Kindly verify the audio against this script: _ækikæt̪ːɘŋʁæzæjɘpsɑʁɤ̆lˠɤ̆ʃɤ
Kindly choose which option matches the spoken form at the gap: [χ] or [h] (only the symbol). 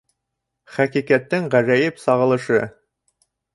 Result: χ